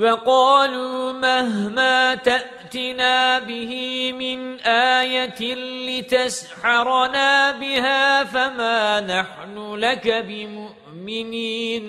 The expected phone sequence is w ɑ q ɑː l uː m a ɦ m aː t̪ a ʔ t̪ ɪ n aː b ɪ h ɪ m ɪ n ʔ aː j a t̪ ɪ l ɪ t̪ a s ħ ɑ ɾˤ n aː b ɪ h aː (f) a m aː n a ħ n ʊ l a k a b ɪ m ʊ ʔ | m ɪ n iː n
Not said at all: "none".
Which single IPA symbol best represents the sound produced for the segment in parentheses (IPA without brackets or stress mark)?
f